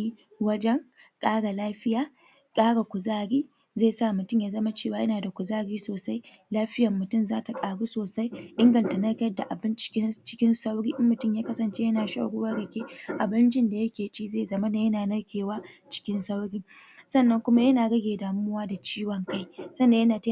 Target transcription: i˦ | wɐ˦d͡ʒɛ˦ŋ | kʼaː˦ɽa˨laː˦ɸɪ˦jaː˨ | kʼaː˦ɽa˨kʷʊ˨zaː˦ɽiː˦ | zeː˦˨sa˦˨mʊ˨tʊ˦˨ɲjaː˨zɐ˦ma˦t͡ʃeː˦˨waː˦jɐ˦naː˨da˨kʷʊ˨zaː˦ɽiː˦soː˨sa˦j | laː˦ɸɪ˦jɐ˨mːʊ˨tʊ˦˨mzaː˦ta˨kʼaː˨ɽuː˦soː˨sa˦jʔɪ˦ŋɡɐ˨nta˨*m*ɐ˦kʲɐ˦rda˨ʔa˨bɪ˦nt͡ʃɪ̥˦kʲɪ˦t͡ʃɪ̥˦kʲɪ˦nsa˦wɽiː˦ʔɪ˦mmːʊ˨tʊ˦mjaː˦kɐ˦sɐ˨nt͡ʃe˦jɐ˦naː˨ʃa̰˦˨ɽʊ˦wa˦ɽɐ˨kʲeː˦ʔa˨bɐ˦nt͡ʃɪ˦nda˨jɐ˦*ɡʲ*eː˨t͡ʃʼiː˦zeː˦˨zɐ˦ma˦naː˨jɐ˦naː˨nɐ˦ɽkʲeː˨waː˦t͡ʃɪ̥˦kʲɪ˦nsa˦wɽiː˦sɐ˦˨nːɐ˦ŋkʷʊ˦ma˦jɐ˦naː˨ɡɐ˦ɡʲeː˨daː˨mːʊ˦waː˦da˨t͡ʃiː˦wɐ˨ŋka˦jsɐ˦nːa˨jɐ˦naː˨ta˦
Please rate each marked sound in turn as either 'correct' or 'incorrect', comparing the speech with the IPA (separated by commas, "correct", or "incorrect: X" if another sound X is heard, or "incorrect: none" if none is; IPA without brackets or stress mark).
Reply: incorrect: n, incorrect: kʲ